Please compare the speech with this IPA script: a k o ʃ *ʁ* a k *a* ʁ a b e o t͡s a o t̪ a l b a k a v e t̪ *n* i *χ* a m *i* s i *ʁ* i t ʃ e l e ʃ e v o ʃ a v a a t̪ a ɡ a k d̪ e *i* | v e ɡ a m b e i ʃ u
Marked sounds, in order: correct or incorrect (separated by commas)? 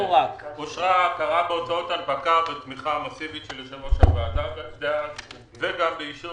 correct, correct, incorrect, correct, incorrect, incorrect, incorrect